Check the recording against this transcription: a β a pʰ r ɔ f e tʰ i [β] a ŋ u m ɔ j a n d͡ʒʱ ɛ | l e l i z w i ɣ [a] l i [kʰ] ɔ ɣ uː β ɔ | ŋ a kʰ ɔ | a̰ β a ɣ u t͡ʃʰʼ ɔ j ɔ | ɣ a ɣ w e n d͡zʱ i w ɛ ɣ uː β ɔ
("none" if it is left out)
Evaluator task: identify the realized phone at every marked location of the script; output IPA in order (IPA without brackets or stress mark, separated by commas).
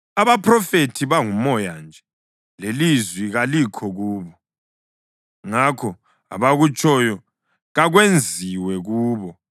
β, a, kʰ